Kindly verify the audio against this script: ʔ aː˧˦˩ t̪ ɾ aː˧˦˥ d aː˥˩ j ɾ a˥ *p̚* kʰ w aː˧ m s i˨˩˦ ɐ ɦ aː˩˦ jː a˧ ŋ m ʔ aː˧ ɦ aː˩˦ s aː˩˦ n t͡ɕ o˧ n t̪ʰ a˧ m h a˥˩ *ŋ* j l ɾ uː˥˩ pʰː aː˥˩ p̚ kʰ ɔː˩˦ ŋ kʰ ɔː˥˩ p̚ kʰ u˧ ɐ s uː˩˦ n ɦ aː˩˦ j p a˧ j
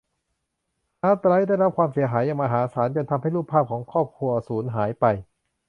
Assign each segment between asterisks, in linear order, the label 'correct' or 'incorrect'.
correct, incorrect: none

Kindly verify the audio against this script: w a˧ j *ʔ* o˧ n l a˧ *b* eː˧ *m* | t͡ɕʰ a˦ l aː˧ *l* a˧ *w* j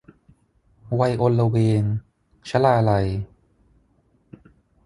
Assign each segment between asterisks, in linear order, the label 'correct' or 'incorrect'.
correct, incorrect: w, incorrect: n, correct, incorrect: none

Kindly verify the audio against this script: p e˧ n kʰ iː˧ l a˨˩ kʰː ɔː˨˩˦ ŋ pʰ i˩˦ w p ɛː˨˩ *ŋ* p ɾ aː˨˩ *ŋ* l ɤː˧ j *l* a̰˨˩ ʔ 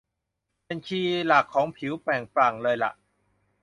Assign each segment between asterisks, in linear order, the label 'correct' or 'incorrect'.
correct, correct, correct

